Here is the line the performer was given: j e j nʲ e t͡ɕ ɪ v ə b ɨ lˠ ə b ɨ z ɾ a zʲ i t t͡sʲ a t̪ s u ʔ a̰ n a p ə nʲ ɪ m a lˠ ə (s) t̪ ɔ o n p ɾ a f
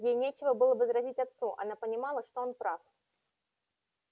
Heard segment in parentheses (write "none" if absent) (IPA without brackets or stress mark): ʂ